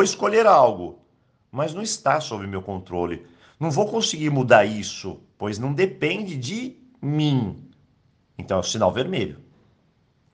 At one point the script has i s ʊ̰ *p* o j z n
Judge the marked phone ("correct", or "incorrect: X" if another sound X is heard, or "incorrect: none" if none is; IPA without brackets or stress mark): correct